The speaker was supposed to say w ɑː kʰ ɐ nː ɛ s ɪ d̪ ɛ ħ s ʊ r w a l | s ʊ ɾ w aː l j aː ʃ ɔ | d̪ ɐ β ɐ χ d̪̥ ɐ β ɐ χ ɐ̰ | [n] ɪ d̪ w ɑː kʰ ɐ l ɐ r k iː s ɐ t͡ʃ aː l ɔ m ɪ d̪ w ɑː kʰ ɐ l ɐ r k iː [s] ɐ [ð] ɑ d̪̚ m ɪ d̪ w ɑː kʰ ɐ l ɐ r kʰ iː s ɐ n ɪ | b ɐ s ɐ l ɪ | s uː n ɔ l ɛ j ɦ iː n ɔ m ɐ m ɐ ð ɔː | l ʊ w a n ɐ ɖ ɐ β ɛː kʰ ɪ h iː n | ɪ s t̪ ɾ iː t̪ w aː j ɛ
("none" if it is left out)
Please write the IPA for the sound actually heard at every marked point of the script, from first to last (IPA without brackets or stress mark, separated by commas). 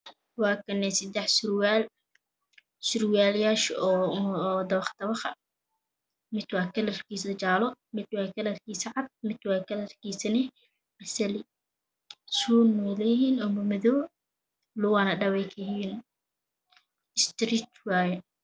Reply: m, s, ʕ